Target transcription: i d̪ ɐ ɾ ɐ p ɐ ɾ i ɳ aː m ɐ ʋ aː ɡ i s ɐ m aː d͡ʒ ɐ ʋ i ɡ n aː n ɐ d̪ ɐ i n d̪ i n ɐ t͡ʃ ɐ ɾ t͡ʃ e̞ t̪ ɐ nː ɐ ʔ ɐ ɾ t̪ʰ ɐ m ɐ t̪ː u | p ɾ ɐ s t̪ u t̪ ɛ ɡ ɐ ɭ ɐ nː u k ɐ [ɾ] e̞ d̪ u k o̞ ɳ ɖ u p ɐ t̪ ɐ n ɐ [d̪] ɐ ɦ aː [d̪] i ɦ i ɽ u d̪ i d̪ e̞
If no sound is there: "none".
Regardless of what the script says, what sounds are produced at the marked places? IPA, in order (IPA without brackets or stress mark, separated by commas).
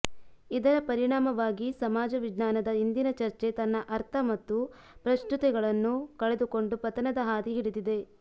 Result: ɭ, d̪, d̪